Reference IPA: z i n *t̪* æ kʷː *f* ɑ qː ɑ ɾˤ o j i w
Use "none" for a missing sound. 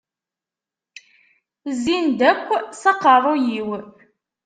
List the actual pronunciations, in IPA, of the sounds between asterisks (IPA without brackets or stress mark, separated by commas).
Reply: d̪, s